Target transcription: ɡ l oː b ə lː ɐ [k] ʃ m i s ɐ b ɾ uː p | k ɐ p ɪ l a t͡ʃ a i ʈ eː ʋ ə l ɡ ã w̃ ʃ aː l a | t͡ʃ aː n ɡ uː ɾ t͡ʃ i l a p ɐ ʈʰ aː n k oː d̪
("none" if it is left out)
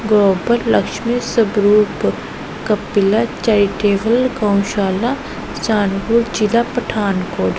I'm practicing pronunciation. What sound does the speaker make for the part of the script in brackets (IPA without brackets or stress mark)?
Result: k